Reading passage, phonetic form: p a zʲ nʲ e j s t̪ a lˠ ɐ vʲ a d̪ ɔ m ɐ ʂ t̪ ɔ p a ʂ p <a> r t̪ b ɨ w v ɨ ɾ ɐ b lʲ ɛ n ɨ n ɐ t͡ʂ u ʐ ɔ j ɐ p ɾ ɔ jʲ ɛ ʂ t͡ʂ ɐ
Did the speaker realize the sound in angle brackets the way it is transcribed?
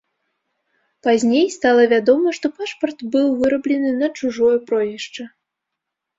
no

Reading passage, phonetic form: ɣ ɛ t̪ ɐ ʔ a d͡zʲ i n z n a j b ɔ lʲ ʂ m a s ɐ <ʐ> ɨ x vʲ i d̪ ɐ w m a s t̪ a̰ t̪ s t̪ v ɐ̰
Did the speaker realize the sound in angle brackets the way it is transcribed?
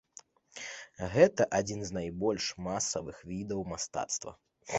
no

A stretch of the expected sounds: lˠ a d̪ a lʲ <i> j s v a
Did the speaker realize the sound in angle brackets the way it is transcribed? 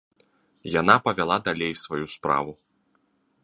no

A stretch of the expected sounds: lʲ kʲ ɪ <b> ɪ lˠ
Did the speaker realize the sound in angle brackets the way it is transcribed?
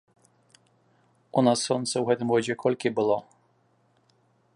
yes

